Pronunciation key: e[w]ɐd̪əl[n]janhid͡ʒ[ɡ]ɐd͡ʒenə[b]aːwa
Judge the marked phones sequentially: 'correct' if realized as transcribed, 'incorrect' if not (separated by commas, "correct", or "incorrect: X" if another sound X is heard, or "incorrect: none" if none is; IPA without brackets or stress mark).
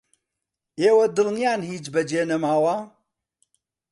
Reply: correct, correct, incorrect: b, incorrect: m